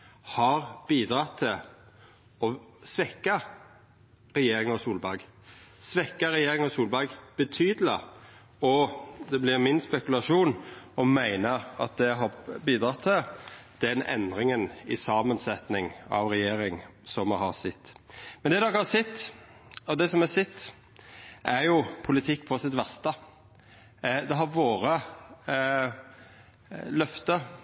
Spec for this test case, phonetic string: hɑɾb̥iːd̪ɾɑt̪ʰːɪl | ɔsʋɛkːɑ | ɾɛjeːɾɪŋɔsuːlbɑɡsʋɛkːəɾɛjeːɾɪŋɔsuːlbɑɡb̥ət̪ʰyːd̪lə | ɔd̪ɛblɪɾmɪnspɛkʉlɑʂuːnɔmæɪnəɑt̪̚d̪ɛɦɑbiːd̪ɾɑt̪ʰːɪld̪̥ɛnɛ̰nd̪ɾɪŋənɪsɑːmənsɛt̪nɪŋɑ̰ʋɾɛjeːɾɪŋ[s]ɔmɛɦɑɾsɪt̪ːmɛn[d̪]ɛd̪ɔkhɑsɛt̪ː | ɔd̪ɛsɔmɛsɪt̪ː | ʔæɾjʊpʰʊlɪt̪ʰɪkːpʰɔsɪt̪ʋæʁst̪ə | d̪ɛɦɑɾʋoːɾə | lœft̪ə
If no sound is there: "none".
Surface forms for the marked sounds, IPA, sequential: s, d̪

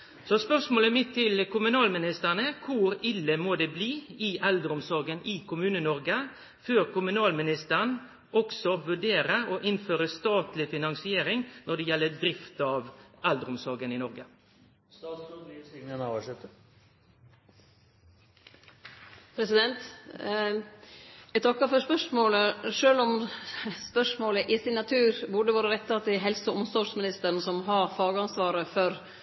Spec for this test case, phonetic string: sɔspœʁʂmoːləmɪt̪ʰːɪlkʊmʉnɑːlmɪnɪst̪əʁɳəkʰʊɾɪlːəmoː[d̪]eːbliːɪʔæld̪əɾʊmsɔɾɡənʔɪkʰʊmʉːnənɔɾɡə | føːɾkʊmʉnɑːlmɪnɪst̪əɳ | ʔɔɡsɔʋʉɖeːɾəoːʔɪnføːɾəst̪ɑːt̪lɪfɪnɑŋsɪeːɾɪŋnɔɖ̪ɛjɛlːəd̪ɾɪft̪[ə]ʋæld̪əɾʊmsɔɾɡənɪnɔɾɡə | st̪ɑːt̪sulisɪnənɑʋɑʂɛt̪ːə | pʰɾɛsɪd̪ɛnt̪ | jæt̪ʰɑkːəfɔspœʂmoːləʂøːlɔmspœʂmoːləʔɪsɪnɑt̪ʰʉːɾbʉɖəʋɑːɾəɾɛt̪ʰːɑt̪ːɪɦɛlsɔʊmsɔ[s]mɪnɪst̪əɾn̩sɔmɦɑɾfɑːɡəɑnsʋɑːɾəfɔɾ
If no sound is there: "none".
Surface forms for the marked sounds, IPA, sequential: d̪, ɑ, ʂ

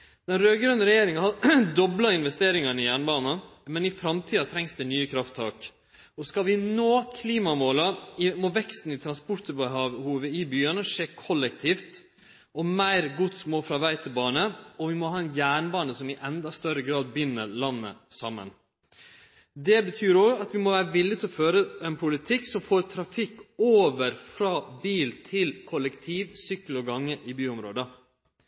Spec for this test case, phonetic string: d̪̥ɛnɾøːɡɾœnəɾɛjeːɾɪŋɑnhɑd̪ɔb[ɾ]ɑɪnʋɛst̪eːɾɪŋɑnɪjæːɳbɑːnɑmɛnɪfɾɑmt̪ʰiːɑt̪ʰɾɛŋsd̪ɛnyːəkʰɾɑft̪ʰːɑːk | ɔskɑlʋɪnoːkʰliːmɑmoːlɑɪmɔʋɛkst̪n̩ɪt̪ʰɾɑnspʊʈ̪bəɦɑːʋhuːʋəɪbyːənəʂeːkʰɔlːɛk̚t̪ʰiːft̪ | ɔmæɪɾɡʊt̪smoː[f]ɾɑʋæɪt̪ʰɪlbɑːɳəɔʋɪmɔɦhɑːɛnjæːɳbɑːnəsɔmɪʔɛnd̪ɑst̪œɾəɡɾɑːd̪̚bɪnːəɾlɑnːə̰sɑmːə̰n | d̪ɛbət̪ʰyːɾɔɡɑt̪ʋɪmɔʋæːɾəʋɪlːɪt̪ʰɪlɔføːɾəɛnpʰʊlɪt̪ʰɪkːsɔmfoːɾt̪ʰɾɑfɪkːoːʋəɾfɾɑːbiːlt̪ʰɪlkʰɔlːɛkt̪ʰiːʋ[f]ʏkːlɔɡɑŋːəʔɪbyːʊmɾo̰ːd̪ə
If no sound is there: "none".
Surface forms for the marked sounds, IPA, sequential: l, f, s

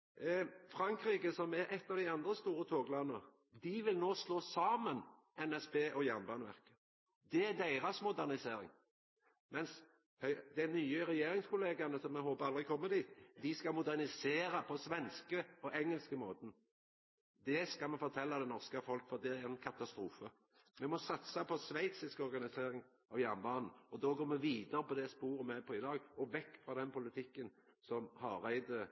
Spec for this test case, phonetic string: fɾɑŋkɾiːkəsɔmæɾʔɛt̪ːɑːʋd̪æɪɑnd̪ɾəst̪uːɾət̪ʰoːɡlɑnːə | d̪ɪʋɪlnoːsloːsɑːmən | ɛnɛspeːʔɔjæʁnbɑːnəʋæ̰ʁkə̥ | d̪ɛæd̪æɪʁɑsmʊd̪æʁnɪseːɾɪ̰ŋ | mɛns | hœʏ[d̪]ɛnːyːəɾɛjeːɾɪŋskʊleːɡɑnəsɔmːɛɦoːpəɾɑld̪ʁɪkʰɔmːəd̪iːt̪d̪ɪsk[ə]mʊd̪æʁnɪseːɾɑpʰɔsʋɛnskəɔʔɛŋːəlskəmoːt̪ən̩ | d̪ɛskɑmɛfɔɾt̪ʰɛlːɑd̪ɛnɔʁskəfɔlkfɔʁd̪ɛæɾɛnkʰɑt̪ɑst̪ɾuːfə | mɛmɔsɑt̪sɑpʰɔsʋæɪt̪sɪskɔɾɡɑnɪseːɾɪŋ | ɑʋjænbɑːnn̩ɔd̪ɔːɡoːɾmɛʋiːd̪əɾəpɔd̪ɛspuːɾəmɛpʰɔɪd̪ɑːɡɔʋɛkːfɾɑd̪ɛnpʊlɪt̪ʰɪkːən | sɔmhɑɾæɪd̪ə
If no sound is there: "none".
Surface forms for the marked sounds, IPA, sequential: d̪, ɑ

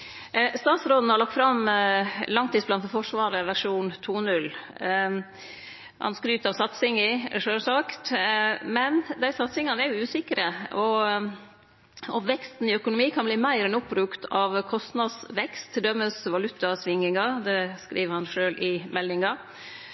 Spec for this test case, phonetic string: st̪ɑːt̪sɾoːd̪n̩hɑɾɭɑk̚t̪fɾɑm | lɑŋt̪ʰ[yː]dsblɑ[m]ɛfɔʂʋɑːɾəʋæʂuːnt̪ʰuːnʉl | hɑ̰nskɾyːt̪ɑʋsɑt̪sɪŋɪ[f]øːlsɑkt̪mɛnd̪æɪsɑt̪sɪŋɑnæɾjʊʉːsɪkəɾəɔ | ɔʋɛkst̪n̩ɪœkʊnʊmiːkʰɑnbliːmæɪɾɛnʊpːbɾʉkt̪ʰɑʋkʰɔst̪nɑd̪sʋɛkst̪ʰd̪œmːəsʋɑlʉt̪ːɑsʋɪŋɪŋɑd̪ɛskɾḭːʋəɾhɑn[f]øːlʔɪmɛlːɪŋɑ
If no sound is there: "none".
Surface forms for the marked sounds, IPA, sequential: iː, n, ʂ, ʂ

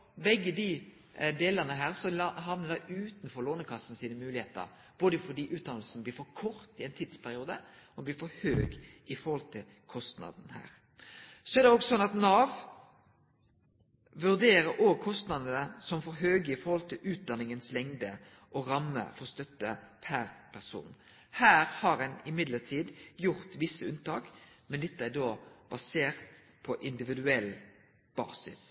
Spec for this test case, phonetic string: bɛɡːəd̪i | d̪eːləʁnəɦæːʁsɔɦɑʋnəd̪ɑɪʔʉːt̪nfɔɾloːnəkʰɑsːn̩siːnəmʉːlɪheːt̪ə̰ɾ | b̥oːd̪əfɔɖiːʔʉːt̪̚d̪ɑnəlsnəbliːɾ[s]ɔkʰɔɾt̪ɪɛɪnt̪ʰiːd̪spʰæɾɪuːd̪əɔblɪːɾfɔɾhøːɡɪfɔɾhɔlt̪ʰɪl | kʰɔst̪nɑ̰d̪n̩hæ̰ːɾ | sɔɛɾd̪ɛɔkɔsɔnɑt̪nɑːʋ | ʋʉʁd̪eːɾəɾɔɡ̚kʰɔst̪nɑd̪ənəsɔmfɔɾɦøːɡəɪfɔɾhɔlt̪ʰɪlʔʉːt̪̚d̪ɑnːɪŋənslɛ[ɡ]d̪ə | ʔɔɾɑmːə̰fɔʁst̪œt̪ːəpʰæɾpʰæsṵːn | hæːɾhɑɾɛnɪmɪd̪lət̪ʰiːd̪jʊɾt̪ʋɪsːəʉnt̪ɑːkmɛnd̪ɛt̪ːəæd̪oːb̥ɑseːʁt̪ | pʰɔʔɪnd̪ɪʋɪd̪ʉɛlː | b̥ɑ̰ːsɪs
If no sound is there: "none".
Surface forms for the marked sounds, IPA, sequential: f, ŋ

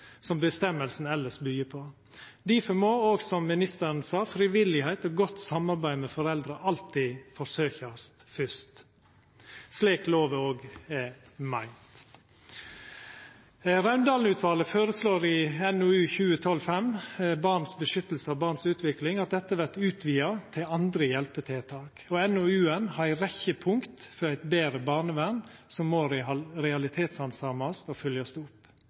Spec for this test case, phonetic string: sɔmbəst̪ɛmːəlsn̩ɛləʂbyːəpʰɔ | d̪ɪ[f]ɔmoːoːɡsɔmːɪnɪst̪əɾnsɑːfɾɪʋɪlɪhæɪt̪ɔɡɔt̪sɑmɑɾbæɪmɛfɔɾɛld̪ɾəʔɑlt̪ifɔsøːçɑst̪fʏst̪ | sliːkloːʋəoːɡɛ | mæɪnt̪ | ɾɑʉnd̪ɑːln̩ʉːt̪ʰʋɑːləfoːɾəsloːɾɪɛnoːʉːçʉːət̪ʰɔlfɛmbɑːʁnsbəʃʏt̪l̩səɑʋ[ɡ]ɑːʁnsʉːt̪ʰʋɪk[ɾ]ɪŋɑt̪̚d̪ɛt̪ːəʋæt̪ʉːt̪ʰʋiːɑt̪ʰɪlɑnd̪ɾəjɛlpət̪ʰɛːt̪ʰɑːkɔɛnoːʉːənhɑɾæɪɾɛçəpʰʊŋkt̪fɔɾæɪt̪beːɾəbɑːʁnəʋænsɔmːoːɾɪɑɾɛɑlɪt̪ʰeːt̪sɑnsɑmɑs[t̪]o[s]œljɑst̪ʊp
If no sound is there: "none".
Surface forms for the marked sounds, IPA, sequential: f, b, l, t̪, f

